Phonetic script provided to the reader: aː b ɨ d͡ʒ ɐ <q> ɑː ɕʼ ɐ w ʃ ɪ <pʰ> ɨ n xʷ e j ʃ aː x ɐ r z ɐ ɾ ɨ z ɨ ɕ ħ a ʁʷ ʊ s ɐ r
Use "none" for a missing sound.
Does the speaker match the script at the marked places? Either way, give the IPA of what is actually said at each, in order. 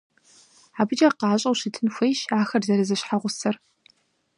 q, tʰ

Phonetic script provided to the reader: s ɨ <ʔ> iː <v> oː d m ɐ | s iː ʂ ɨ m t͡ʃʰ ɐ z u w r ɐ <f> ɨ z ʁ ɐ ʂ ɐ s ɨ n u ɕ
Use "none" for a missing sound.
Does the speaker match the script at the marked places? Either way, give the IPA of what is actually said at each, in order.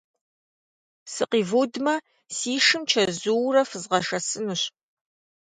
q, v, f

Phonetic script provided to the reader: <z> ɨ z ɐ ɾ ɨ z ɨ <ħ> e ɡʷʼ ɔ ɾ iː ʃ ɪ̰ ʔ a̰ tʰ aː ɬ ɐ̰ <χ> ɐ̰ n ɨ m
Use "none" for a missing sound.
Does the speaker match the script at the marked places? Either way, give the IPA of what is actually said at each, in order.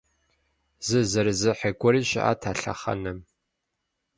z, ħ, χ

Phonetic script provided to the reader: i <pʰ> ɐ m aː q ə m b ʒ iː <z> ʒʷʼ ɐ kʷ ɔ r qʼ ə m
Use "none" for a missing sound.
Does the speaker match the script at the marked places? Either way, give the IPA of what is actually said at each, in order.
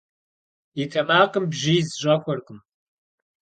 tʰ, z

